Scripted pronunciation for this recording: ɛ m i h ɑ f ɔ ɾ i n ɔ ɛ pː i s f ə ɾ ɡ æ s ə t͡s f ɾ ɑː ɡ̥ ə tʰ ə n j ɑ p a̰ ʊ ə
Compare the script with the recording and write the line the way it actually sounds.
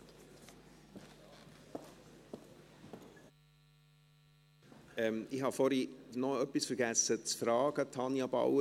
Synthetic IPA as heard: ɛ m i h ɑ f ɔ ɾ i n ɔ œ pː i s f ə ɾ ɡ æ s ə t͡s f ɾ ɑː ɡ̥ ə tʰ ɑ n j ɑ b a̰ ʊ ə